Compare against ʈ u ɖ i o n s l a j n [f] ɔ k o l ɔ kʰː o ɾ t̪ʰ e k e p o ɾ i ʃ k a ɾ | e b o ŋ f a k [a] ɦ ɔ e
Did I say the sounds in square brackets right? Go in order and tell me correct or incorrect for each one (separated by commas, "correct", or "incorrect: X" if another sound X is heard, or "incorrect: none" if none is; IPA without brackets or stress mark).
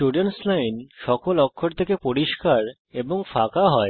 incorrect: ʃ, correct